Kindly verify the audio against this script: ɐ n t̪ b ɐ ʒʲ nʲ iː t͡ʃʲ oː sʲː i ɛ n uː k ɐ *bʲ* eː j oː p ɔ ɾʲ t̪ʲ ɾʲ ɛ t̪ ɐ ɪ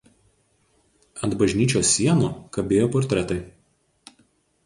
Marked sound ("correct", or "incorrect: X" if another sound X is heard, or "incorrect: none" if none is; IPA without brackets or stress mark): correct